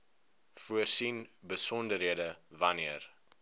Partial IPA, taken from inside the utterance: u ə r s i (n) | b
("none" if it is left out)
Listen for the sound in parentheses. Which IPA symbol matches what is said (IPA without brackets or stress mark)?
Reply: n